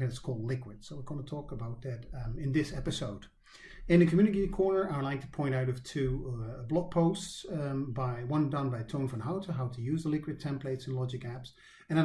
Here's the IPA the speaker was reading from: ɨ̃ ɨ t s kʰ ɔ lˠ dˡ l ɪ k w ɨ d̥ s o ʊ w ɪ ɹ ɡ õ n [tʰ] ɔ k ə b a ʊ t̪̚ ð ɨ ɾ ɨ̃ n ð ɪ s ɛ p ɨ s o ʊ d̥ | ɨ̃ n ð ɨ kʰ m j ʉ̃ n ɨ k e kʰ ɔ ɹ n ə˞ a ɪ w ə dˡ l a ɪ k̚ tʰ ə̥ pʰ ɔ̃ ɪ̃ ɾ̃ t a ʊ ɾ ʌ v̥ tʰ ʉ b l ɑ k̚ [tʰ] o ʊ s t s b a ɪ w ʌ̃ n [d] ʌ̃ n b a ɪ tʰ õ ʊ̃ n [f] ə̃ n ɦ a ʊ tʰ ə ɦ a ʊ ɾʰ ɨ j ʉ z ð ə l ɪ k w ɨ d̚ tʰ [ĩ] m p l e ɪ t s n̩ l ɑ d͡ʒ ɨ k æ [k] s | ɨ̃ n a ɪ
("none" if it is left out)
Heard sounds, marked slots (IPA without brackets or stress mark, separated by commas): tʰ, pʰ, d, f, ɛ̃, p